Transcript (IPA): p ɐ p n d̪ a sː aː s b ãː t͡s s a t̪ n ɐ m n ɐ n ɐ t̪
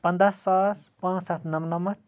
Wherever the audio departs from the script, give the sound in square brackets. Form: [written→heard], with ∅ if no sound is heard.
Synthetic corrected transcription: p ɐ [p→∅] n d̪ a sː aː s [b→p] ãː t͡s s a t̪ n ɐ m n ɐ [n→m] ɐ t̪